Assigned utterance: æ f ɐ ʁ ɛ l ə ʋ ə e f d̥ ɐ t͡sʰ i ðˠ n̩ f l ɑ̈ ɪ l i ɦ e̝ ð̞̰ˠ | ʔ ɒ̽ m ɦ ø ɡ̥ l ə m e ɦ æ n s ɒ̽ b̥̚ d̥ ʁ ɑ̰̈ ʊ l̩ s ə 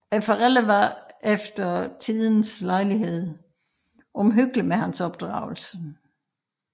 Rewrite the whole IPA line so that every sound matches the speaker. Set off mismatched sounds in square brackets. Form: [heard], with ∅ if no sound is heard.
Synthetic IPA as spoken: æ f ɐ ʁ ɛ l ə ʋ [ɑ] e f d̥ ɐ t͡sʰ i ðˠ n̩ [s] l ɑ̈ ɪ l i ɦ e̝ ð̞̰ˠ | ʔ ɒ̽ m ɦ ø ɡ̥ l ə m e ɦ æ n s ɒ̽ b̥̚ d̥ ʁ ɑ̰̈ ʊ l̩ s ə